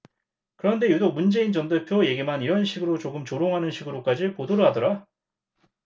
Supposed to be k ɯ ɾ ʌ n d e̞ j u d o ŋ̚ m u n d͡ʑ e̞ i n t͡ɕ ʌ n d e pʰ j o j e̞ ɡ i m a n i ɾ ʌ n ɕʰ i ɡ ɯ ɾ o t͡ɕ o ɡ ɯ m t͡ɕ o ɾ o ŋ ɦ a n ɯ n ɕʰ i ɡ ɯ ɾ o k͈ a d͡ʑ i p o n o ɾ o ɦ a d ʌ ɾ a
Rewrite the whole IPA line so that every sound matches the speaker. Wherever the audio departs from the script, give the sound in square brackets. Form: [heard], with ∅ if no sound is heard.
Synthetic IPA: k ɯ ɾ ʌ n d e̞ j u d o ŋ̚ m u n d͡ʑ e̞ i n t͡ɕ ʌ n d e pʰ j o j e̞ ɡ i m a n i ɾ ʌ n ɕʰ i ɡ ɯ ɾ o t͡ɕ o ɡ ɯ m t͡ɕ o ɾ o ŋ ɦ a n ɯ n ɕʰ i ɡ ɯ ɾ o k͈ a d͡ʑ i p o [d] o ɾ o ɦ a d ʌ ɾ a